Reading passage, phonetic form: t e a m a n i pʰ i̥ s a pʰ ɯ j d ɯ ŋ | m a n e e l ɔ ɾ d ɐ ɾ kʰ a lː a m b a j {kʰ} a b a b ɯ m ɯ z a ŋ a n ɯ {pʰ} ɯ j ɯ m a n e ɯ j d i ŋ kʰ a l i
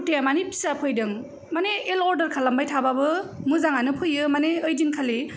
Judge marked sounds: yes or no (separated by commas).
no, yes